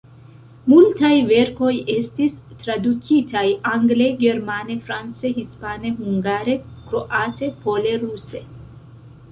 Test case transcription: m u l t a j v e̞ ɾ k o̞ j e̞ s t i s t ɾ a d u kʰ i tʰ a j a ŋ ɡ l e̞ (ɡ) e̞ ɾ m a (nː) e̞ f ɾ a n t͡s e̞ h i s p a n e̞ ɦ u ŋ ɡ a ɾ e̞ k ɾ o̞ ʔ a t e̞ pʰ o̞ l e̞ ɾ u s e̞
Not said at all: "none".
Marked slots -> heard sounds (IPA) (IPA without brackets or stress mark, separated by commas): ɡ, n